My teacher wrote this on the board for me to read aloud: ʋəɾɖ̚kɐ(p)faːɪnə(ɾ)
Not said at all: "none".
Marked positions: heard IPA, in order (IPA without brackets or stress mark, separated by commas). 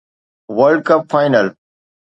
p, l